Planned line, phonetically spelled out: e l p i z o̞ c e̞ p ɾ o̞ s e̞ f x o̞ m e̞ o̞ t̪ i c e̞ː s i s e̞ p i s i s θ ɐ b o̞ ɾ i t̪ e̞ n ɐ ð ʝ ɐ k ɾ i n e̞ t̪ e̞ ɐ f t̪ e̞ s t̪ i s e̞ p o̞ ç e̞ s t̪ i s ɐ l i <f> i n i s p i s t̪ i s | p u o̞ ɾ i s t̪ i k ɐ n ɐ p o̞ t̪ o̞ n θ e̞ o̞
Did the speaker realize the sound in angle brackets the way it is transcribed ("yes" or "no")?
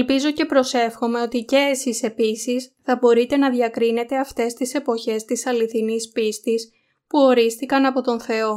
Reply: no